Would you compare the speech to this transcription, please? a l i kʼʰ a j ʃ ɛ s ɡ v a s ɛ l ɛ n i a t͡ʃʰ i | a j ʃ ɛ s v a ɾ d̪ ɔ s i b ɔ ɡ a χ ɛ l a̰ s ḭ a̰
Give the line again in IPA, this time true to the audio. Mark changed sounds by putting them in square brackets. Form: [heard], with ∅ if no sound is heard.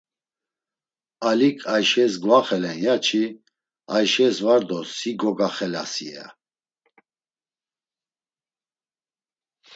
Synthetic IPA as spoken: a l i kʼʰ a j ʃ ɛ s ɡ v a [χ] ɛ l ɛ n [j] a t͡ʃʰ i | a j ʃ ɛ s v a ɾ d̪ ɔ s i [ɡ] ɔ ɡ a χ ɛ l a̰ s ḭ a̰